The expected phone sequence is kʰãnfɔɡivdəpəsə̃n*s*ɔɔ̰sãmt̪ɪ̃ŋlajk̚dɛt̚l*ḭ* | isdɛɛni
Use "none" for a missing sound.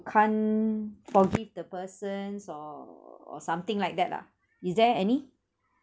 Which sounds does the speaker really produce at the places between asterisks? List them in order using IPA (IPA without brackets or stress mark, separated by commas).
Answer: s, a̰